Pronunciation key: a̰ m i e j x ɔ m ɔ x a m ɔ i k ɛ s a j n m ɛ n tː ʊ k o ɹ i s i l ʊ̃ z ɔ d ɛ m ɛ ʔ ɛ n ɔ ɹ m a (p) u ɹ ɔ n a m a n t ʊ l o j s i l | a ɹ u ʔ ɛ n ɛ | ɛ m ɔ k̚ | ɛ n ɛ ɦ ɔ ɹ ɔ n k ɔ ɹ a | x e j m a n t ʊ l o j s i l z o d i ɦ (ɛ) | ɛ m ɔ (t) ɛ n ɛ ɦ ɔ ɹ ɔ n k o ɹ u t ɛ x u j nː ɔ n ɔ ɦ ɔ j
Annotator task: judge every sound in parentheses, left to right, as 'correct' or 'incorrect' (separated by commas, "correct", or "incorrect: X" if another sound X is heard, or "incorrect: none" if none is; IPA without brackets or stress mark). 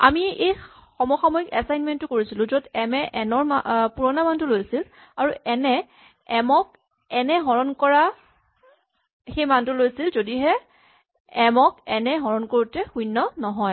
correct, correct, incorrect: k